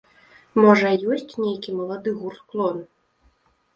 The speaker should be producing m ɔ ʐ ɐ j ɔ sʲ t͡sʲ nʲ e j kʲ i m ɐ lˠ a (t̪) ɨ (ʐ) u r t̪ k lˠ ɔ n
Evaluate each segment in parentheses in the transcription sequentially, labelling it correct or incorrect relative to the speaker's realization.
incorrect, incorrect

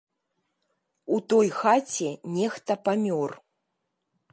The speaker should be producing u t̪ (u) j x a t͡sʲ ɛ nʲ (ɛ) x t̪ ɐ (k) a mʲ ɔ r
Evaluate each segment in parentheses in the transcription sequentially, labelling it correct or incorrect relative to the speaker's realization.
incorrect, correct, incorrect

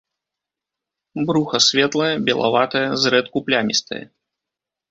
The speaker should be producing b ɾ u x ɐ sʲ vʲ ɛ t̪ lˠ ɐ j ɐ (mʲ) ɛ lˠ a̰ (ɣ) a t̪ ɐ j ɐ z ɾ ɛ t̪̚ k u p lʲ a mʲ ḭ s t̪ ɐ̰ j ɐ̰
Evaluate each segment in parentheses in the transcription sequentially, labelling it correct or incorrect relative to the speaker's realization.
incorrect, incorrect

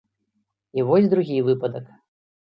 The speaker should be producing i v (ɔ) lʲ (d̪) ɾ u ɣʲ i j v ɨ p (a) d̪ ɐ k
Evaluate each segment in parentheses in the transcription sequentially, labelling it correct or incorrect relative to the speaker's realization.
correct, correct, incorrect

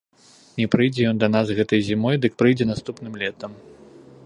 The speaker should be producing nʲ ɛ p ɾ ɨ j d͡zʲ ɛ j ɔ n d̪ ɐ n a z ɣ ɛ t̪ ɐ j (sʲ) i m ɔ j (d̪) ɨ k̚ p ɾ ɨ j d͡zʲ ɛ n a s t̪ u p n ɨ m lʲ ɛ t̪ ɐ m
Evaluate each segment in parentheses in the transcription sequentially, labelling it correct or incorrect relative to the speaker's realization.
incorrect, correct

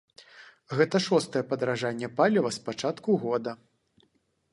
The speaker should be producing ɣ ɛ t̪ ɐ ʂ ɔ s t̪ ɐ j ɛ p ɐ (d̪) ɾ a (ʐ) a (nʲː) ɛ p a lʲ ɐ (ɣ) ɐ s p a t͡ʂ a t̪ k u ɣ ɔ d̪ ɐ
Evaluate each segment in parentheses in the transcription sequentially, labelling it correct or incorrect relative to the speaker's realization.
correct, correct, correct, incorrect

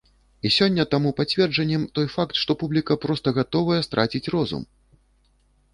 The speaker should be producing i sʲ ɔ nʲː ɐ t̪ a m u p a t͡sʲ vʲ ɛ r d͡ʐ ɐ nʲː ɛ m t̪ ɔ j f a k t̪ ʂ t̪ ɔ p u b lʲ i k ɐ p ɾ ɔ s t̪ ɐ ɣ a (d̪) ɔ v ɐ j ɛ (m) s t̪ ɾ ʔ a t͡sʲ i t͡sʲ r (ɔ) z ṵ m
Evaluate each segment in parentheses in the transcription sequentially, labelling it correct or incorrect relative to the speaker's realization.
incorrect, incorrect, correct

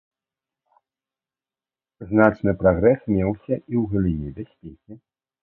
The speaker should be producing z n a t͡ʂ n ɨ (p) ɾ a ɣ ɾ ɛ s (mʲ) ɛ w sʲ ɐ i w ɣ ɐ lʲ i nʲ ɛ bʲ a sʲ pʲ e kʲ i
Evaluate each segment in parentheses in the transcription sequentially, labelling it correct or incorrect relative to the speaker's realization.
correct, correct

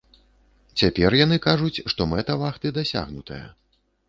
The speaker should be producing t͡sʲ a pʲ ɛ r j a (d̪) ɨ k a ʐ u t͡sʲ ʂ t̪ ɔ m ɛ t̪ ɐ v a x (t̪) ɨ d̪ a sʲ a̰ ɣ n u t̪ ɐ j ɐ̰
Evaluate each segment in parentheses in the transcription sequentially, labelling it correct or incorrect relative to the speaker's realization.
incorrect, correct

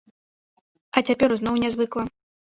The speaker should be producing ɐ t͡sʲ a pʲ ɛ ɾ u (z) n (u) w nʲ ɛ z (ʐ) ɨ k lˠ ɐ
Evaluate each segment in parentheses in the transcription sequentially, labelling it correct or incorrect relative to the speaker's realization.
correct, incorrect, incorrect

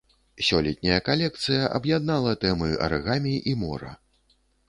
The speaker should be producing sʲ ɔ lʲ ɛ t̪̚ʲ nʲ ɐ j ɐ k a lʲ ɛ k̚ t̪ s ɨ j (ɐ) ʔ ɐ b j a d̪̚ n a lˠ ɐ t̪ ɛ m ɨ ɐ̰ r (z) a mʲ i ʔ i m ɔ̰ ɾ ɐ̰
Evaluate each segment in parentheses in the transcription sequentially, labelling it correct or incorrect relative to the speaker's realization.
correct, incorrect

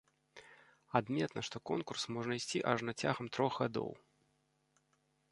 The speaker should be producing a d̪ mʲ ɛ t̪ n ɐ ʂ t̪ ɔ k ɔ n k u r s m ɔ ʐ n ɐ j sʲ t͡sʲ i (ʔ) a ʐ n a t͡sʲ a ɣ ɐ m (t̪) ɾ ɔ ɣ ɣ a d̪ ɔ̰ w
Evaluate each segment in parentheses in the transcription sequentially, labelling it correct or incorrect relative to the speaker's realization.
correct, correct

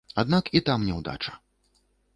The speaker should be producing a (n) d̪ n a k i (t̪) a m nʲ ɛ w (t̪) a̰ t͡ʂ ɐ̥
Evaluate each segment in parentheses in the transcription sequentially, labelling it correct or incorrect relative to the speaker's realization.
incorrect, correct, incorrect

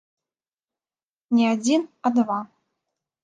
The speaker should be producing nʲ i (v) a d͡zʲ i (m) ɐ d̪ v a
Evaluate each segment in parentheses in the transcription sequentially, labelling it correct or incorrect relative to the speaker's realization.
incorrect, incorrect

